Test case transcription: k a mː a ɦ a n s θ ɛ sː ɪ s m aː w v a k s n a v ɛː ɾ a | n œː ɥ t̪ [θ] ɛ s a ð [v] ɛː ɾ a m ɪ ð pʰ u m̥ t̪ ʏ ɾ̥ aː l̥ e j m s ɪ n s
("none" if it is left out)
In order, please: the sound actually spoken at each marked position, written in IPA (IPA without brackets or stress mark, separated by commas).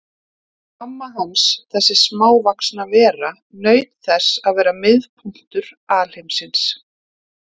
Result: θ, v